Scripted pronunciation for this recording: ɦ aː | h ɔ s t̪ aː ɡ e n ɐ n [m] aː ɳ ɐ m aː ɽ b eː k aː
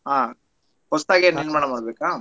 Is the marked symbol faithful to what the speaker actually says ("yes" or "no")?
yes